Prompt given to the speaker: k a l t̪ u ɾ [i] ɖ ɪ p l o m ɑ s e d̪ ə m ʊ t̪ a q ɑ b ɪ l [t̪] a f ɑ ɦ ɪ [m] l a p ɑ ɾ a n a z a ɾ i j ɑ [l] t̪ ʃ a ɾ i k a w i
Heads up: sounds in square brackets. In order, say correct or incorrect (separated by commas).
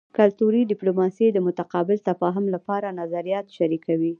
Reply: correct, correct, correct, incorrect